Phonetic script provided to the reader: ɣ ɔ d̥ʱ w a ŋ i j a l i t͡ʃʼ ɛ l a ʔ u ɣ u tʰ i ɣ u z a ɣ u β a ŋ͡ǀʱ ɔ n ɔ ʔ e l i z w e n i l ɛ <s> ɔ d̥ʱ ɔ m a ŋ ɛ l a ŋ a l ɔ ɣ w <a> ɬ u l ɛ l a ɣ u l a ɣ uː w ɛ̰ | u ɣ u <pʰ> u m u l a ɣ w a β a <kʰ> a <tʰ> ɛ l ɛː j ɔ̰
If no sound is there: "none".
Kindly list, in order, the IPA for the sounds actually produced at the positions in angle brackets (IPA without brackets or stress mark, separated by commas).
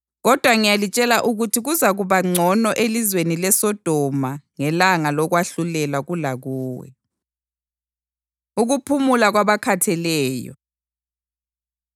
s, a, pʰ, kʰ, tʰ